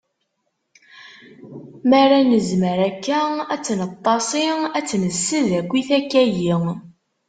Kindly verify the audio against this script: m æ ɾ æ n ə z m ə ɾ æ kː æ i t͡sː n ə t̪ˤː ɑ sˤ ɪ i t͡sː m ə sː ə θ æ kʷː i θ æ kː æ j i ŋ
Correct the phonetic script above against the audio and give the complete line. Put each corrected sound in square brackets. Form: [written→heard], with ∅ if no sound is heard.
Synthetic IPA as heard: m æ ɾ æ n ə z m ə ɾ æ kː æ [i→æ] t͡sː n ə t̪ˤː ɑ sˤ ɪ [i→æ] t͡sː [m→n] ə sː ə [θ→ð] æ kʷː i θ æ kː æ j i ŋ